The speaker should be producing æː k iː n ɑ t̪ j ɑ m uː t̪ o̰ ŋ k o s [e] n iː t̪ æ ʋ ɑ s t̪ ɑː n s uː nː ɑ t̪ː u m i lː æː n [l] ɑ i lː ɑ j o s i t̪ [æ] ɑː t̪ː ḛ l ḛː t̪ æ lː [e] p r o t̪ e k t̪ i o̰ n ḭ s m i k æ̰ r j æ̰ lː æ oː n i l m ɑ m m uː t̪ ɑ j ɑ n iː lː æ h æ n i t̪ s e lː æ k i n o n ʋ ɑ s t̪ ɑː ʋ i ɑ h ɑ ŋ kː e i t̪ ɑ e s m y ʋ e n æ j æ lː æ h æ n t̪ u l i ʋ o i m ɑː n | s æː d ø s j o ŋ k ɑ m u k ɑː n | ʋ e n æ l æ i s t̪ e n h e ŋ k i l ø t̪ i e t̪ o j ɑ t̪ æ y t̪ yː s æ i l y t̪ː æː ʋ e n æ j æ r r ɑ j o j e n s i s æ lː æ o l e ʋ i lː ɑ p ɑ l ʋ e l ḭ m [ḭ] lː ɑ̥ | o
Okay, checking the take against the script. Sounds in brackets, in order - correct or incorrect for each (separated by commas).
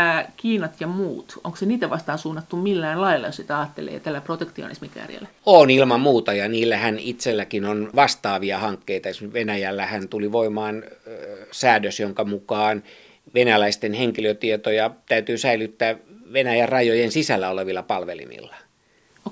correct, correct, correct, incorrect, correct